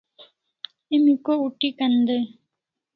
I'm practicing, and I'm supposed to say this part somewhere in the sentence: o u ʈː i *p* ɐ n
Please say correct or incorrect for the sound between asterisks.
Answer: incorrect